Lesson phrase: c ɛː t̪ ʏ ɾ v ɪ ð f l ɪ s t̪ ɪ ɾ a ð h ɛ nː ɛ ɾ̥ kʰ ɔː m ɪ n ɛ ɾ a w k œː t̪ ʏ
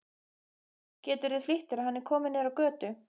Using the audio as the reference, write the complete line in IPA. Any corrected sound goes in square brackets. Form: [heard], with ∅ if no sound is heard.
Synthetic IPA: c ɛː t̪ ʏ ɾ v ɪ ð f l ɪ [h] t̪ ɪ ɾ a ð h [a] nː ɛ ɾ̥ kʰ ɔː m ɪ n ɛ ɾ a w k œː t̪ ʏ